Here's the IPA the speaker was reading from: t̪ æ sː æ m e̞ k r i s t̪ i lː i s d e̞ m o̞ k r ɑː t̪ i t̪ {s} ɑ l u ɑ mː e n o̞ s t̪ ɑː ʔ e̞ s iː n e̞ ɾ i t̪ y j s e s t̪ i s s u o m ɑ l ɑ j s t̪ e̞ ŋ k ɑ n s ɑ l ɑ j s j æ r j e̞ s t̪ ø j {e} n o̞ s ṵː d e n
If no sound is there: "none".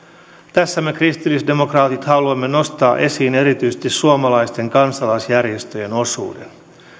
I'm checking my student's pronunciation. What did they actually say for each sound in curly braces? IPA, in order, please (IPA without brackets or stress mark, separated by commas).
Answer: h, e